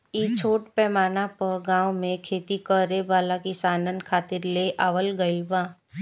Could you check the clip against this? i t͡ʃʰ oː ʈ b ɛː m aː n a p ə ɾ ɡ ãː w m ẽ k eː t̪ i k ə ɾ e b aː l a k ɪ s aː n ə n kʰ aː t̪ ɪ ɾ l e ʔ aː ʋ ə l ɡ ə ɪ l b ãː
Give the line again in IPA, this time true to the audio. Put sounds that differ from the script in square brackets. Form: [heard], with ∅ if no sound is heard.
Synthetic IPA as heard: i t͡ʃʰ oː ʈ [p] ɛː m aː n a p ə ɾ ɡ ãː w m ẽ [kʰ] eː t̪ i k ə ɾ e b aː l a k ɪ s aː n ə n kʰ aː t̪ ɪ ɾ l e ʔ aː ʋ ə l ɡ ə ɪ l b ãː